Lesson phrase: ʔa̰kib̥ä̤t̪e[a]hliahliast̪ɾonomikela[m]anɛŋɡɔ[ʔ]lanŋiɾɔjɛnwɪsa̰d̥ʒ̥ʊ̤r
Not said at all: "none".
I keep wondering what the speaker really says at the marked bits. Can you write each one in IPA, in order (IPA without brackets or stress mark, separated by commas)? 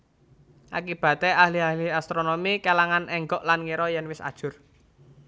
a, ŋ, ʔ